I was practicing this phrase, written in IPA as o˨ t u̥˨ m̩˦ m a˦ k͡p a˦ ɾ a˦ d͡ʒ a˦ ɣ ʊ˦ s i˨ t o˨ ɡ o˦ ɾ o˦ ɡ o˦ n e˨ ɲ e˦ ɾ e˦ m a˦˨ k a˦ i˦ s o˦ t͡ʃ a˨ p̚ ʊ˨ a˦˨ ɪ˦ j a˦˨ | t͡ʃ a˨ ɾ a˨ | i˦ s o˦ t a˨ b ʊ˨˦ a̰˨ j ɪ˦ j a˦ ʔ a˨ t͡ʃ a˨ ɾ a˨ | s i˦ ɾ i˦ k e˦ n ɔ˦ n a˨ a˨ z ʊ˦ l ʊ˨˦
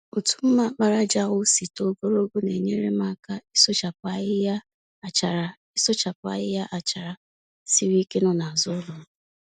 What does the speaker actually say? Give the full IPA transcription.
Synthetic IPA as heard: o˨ t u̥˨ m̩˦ m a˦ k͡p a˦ ɾ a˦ d͡ʒ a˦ ɣ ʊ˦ s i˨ t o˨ ɡ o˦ ɾ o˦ ɡ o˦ n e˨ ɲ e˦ ɾ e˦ m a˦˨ k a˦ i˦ s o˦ t͡ʃ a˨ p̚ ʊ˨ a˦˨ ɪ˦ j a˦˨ | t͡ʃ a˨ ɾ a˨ | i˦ s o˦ t͡ʃ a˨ p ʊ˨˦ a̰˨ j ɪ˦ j a˦ ʔ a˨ t͡ʃ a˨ ɾ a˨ | s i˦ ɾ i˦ k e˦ n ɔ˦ n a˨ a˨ z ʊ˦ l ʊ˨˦